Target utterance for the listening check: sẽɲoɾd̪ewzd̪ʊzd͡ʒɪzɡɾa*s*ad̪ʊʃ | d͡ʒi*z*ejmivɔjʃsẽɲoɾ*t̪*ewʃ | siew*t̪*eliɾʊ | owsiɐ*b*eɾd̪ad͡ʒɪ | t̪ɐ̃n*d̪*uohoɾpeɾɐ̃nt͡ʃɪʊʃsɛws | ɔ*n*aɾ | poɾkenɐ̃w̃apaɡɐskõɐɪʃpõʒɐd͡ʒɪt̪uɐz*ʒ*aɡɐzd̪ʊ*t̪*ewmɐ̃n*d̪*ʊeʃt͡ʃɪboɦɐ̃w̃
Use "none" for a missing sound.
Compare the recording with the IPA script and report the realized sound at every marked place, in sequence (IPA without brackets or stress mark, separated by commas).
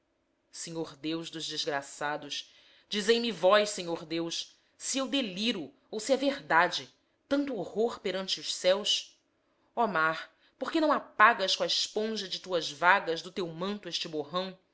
s, z, d̪, d̪, v, t̪, m, v, t̪, t̪